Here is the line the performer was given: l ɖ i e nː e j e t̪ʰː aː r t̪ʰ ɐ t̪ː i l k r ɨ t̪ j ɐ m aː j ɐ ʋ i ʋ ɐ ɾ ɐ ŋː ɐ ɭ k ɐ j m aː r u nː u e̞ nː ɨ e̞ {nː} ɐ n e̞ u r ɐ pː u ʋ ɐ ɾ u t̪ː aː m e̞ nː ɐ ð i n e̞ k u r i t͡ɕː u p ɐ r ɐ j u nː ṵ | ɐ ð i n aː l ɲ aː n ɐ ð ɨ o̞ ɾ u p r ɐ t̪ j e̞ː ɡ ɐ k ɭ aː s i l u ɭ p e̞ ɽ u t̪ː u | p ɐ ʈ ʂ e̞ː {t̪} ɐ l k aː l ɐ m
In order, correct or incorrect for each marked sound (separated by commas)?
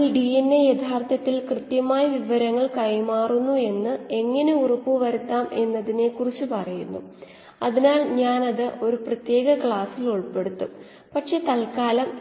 incorrect, correct